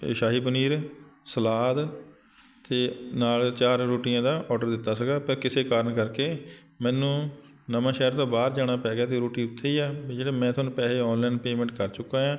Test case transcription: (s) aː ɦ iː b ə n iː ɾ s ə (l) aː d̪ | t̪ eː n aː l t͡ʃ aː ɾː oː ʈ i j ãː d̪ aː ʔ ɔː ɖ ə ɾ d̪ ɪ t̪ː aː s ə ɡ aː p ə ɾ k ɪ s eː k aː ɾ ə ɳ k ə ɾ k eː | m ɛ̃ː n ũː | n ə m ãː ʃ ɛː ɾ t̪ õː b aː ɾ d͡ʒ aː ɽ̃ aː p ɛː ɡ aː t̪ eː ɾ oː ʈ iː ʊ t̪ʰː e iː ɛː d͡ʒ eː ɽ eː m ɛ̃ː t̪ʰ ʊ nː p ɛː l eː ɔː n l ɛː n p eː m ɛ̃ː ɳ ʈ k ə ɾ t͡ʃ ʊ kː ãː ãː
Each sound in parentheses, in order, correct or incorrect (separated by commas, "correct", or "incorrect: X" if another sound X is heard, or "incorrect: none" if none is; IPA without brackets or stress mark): incorrect: ʃ, correct